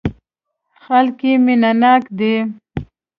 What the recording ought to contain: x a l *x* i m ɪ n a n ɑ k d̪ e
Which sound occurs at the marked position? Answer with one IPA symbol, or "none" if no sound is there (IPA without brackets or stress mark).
k